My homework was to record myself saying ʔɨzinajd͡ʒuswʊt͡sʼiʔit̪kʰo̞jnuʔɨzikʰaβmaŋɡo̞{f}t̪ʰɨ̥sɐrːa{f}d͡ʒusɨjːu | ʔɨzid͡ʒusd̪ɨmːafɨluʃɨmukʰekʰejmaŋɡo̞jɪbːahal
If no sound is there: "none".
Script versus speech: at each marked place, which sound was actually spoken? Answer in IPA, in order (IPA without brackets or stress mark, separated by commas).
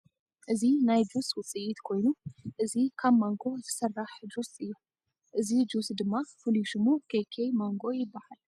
none, ħ